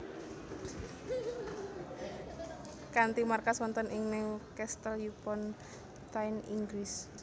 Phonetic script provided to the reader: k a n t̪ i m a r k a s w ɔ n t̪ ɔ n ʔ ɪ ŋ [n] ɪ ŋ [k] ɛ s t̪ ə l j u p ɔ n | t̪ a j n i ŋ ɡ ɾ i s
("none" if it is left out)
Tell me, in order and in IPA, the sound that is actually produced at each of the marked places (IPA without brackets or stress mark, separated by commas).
n, k